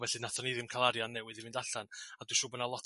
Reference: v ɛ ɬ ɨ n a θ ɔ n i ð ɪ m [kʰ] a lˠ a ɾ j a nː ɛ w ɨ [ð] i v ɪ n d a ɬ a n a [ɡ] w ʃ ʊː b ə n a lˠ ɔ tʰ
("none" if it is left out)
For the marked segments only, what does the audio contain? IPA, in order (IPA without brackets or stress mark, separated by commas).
kʰ, ð, d